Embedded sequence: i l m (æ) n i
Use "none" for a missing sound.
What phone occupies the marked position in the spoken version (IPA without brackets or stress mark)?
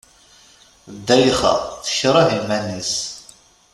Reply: æ